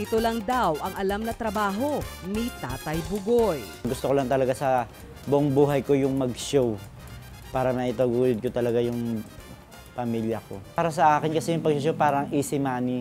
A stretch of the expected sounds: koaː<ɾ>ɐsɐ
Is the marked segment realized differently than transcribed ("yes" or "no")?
no